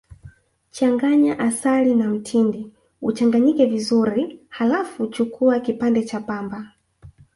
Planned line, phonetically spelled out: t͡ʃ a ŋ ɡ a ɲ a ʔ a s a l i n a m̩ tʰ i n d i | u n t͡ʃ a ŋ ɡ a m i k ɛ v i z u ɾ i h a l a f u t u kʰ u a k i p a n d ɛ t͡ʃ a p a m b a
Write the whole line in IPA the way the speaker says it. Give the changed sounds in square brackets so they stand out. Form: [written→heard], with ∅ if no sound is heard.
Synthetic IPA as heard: t͡ʃ a ŋ ɡ a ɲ a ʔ a s a l i n a m̩ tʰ i n d i | u [n→∅] t͡ʃ a ŋ ɡ a [m→ɲ] i k ɛ v i z u ɾ i h a l a f u [t→t͡ʃ] u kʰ u a k i p a n d ɛ t͡ʃ a p a m b a